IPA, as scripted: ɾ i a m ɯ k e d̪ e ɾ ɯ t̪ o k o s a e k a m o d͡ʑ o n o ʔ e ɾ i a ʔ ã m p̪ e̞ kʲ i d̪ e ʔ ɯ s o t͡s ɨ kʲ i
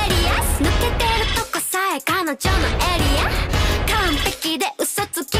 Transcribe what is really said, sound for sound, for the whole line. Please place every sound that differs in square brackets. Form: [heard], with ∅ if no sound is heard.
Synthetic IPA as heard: ɾ i a [n] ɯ k e [t̪] e ɾ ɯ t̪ o k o s a e k a [n] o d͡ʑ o n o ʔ e ɾ i a [k] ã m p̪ e̞ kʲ i d̪ e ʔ ɯ s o t͡s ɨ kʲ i